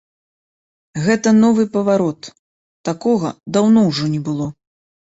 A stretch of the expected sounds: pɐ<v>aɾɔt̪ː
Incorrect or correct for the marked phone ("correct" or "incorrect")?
correct